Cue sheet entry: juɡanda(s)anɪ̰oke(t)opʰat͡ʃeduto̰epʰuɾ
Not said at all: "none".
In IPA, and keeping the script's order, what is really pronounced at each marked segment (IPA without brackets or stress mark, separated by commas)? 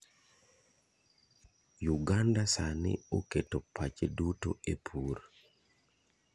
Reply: s, t